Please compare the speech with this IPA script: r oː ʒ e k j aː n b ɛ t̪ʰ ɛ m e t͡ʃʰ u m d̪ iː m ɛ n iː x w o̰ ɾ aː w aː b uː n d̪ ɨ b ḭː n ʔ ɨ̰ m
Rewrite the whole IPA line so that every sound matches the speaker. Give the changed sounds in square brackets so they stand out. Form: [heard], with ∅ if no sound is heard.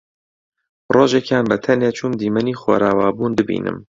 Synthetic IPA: r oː ʒ e k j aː n b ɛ t̪ʰ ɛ [n] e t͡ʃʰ u m d̪ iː m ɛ n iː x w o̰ ɾ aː w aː b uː n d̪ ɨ b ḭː n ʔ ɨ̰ m